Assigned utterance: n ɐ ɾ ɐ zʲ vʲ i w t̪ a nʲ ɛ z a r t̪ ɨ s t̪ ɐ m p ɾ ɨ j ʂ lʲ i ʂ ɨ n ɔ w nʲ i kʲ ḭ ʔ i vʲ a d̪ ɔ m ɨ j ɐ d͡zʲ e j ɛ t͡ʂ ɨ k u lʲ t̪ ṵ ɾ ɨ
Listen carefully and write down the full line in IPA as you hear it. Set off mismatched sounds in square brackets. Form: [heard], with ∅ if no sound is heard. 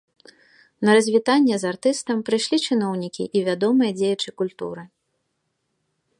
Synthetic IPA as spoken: n ɐ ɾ ɐ zʲ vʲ i [∅] t̪ a [nʲː] ɛ z a r t̪ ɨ s t̪ ɐ m p ɾ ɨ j ʂ lʲ i [t͡ʂ] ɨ n ɔ w nʲ i kʲ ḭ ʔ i vʲ a d̪ ɔ m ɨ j ɐ d͡zʲ e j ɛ t͡ʂ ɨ k u lʲ t̪ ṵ ɾ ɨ

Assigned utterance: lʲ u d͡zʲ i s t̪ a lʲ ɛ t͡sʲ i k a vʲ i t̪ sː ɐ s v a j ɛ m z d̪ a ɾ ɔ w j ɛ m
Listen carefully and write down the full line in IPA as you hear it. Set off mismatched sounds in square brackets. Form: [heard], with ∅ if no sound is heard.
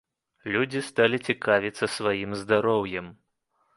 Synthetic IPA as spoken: lʲ u d͡zʲ i s t̪ a lʲ [i] t͡sʲ i k a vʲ i t̪ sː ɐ s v a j [i] m z d̪ a ɾ ɔ w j ɛ m

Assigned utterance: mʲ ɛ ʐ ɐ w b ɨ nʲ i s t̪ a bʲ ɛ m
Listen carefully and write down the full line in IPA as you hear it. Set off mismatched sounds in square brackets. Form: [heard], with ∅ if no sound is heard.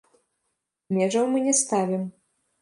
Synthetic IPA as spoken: mʲ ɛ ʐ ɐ w [m] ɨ nʲ [ɛ] s t̪ a [vʲ] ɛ m

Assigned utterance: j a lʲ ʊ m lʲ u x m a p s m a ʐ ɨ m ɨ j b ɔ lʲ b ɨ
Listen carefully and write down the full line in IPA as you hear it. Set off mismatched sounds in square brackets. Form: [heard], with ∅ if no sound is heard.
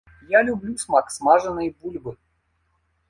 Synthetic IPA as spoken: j a lʲ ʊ [b] lʲ u [s] m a [k] s m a ʐ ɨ [n] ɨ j b [u] lʲ b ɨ

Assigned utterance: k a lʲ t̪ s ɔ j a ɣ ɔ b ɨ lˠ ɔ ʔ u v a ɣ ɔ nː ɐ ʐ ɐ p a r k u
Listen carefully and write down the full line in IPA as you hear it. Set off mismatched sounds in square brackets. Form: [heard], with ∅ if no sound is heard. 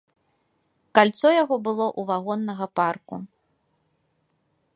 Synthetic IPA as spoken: k a lʲ t̪ s ɔ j a ɣ ɔ b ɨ lˠ ɔ ʔ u v a ɣ ɔ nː ɐ [ɣ] ɐ p a r k u

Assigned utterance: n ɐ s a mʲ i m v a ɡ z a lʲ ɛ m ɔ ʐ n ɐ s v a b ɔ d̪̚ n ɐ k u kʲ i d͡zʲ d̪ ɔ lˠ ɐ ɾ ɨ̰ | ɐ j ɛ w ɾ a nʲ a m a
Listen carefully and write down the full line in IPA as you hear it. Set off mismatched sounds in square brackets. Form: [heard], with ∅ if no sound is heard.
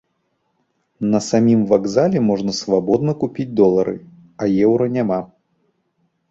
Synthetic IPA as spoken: n ɐ s a mʲ i m v a ɡ z a lʲ ɛ m ɔ ʐ n ɐ s v a b ɔ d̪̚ n ɐ k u [pʲ] i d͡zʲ d̪ ɔ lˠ ɐ ɾ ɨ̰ | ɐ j ɛ w ɾ [ɐ] nʲ a m a

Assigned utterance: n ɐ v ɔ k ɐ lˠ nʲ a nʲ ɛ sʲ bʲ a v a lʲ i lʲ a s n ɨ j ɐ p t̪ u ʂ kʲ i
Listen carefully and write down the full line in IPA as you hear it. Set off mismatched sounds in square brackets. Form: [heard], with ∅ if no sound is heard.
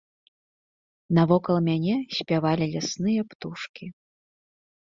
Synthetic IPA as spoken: n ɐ v ɔ k ɐ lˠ [mʲ] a nʲ ɛ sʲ [pʲ] a v a lʲ i lʲ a s n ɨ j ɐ p t̪ u ʂ kʲ i

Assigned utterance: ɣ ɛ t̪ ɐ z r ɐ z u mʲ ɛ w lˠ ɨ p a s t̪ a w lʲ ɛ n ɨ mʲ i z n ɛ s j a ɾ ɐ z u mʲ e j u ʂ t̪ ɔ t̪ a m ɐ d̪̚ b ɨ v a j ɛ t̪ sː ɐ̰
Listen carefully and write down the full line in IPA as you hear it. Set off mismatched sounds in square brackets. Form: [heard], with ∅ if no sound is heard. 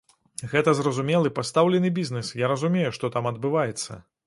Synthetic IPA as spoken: ɣ ɛ t̪ ɐ z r ɐ z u mʲ ɛ [∅] lˠ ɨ p a s t̪ a w lʲ ɛ n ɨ [bʲ] i z n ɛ s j a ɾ ɐ z u mʲ e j u ʂ t̪ ɔ t̪ a m ɐ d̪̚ b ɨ v a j ɛ t̪ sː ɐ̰

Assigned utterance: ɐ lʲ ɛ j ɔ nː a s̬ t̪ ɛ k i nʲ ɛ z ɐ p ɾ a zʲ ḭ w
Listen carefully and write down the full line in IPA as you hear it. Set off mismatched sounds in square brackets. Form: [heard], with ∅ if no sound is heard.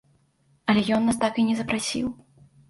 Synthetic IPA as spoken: ɐ lʲ ɛ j ɔ nː a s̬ t̪ [a] k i nʲ ɛ z ɐ p ɾ a [sʲ] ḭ w

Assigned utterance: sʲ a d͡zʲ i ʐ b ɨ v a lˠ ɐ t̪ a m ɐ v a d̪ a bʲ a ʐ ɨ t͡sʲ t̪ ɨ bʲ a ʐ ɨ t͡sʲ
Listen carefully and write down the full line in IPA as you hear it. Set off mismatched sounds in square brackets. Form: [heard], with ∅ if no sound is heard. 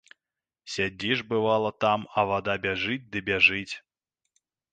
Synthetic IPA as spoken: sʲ a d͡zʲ i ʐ b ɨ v a lˠ ɐ t̪ a m ɐ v a d̪ a bʲ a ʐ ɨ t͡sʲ [d̪] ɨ bʲ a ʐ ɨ t͡sʲ

